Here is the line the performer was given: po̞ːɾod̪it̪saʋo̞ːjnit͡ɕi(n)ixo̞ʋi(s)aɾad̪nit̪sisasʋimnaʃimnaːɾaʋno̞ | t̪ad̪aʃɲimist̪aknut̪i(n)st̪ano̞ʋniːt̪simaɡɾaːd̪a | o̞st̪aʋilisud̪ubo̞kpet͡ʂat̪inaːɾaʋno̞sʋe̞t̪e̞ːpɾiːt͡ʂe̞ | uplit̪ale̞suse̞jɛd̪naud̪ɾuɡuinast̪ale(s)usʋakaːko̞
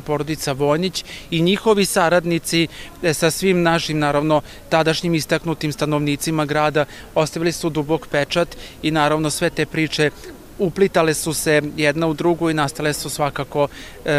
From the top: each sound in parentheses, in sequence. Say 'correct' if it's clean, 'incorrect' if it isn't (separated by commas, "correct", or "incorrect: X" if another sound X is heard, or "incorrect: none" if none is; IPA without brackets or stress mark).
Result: incorrect: ɲ, correct, incorrect: m, correct